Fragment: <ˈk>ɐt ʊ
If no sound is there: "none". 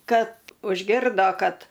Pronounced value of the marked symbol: k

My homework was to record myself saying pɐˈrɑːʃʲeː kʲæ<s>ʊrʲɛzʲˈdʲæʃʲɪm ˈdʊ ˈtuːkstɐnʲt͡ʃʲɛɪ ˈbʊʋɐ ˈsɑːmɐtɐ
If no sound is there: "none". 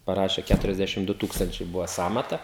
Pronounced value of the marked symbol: t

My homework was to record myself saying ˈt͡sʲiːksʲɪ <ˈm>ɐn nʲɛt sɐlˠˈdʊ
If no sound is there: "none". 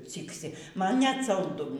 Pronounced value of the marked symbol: m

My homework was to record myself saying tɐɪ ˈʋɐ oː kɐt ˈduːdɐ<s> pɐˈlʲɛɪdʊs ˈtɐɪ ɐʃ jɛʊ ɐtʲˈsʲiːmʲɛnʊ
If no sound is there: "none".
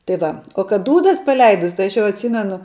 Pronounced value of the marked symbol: s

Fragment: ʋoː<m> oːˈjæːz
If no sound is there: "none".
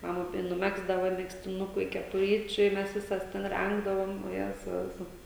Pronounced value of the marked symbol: m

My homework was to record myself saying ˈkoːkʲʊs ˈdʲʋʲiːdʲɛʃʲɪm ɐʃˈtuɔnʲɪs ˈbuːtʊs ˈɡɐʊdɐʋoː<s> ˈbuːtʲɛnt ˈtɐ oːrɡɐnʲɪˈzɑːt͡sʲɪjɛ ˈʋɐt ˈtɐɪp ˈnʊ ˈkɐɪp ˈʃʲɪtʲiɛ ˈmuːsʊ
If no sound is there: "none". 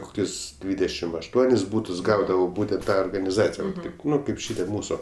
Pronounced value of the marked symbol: none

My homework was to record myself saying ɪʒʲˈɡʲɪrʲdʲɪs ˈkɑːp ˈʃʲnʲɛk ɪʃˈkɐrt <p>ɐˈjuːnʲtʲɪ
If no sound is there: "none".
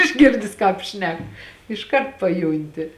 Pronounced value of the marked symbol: p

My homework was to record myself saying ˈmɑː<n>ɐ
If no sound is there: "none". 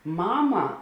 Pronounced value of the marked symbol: m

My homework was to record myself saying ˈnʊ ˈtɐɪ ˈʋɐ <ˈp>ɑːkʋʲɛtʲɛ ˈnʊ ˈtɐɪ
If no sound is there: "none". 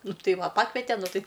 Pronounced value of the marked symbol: p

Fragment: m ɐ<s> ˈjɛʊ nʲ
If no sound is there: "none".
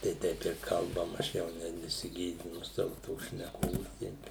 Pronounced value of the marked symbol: ʃ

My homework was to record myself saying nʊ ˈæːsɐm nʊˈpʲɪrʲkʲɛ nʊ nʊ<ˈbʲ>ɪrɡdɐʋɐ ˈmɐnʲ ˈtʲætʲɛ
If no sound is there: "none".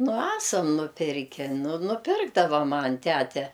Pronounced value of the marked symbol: pʲ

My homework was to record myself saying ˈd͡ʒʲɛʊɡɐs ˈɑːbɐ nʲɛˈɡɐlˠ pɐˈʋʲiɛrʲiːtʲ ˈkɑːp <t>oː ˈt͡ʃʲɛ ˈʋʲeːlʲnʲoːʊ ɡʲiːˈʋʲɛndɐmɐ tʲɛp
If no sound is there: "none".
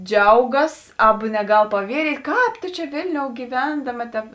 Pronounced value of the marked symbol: t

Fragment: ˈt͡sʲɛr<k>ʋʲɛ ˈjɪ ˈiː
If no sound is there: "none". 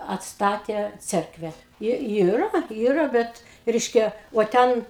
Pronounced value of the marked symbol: k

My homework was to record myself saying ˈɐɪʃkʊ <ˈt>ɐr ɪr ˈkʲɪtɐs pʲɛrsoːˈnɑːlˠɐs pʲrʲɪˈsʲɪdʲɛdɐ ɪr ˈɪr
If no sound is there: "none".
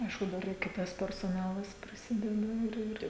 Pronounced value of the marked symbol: d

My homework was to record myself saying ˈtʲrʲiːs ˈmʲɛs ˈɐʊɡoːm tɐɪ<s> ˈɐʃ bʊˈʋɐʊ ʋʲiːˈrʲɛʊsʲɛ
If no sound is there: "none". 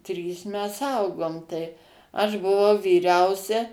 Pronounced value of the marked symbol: none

